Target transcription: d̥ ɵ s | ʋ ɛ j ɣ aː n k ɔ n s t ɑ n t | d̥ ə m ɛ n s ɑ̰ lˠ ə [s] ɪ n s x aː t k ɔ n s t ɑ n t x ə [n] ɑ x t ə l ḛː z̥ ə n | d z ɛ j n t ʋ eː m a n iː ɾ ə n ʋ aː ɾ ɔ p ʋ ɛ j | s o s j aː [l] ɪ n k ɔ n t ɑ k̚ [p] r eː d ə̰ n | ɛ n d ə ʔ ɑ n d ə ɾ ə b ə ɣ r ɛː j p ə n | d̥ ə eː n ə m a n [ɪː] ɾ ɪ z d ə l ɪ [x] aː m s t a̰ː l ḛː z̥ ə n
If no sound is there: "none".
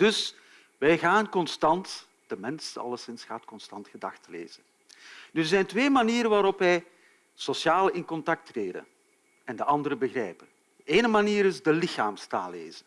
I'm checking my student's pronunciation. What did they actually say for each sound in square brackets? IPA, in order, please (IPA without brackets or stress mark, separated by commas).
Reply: s, d, l, t, iː, x